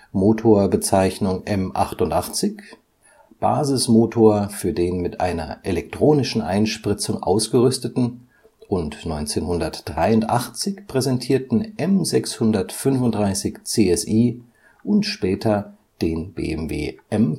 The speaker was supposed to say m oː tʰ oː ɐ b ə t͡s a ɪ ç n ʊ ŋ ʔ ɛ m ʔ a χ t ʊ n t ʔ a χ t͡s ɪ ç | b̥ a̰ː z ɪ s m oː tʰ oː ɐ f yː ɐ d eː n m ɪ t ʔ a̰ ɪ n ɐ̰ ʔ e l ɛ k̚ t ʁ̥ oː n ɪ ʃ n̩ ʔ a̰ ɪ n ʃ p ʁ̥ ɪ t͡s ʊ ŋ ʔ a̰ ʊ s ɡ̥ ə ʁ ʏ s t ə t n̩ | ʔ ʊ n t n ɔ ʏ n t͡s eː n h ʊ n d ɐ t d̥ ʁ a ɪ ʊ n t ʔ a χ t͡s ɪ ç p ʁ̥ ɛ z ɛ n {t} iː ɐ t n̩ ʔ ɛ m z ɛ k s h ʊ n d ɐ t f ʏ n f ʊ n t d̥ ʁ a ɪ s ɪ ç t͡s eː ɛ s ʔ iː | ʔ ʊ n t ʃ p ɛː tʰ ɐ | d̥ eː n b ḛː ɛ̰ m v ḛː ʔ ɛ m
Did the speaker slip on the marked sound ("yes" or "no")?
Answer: yes